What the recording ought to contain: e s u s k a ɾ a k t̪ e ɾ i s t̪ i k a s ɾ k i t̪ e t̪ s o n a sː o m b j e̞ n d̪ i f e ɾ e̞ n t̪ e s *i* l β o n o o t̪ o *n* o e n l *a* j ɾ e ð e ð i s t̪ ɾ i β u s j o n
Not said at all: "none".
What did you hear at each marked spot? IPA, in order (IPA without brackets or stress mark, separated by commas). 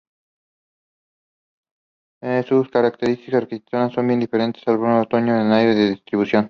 a, ɲ, a